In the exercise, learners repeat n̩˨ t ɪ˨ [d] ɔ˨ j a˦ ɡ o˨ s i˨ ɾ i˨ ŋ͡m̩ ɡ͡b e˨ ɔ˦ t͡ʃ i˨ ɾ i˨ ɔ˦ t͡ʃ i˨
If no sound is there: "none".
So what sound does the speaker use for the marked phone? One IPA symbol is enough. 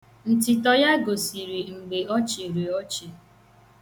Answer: t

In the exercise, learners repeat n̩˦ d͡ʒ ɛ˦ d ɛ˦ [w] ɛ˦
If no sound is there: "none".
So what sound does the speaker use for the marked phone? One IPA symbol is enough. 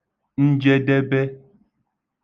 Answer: b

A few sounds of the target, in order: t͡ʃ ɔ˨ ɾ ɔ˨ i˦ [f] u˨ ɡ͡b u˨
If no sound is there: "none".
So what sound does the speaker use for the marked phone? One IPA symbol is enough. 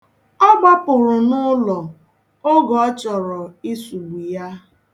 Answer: s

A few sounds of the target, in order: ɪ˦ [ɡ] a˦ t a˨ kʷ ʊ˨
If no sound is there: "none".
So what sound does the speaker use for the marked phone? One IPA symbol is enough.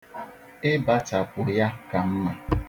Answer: b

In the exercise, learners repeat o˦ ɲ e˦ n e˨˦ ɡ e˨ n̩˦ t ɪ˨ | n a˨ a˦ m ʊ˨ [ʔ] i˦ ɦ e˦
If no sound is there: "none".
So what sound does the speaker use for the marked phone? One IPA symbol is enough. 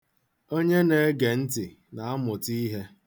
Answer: t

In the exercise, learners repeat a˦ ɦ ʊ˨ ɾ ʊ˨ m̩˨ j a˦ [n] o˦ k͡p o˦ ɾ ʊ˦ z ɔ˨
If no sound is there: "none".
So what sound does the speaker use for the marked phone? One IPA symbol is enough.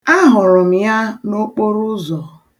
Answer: n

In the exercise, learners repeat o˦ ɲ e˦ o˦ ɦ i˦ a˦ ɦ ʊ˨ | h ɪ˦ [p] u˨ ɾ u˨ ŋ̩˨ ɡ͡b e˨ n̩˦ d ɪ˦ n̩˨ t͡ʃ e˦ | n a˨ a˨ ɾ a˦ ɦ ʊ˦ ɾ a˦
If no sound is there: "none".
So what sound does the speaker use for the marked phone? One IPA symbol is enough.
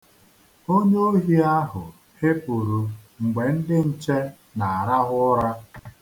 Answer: p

